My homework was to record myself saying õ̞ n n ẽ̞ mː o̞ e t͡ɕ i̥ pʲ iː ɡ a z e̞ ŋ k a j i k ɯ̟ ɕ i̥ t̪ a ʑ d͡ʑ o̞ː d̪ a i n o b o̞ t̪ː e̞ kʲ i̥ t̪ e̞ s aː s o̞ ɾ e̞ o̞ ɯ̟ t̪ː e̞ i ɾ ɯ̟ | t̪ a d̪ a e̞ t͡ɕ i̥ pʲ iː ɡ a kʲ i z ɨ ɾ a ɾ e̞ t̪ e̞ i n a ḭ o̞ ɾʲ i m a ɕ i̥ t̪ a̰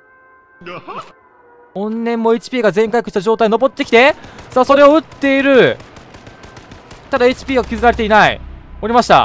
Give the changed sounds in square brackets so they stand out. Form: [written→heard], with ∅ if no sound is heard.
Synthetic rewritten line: õ̞ n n ẽ̞ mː o̞ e t͡ɕ i̥ pʲ iː ɡ a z [e̞→ẽ̞] ŋ k a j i k ɯ̟ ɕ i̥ t̪ a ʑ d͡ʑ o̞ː [d̪→t̪] a i n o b o̞ t̪ː e̞ kʲ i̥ t̪ e̞ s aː s o̞ ɾ e̞ o̞ ɯ̟ t̪ː e̞ i ɾ ɯ̟ | t̪ a d̪ a e̞ t͡ɕ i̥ pʲ iː ɡ a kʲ i z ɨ ɾ a ɾ e̞ t̪ e̞ i n a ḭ o̞ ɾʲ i m a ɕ i̥ t̪ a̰